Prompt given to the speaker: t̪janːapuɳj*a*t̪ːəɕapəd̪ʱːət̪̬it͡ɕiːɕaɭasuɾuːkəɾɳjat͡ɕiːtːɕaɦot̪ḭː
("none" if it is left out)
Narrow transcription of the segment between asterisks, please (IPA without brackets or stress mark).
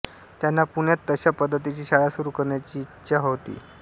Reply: a